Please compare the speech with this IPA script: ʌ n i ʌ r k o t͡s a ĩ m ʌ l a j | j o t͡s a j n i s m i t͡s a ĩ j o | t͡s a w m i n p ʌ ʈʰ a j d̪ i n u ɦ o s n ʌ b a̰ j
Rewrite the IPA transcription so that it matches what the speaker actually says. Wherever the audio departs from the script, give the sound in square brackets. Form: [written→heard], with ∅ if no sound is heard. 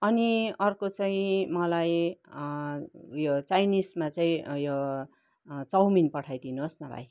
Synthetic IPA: ʌ n i ʌ r k o t͡s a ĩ m ʌ l a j | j o t͡s a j n i s m [i→a] t͡s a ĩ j o | t͡s [a→ʌ] w m i n p ʌ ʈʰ a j d̪ i n u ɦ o s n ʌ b a̰ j